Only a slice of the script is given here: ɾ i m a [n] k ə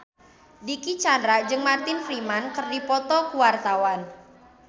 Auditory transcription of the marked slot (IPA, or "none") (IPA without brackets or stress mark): n